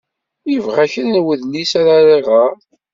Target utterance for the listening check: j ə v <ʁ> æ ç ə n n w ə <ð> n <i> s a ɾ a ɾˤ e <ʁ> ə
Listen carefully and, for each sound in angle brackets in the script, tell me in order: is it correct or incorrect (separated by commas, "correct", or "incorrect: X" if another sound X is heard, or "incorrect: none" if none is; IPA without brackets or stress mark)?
correct, correct, correct, correct